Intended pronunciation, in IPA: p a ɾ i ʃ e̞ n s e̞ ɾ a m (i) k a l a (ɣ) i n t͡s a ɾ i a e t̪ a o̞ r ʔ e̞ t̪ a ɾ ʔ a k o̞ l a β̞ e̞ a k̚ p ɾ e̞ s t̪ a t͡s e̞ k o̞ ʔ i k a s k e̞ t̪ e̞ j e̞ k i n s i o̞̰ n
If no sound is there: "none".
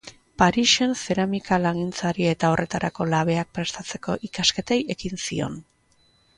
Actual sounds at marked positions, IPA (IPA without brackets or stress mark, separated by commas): i, ɣ